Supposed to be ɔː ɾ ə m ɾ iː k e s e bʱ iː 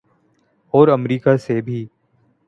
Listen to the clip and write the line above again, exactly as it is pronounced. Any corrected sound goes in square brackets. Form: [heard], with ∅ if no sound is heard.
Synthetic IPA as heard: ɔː ɾ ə m ɾ iː k [a] s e bʱ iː